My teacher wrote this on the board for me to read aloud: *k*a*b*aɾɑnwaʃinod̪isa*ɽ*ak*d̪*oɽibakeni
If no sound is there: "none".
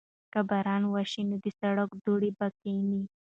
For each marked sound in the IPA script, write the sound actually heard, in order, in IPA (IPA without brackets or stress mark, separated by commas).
k, b, ɽ, d̪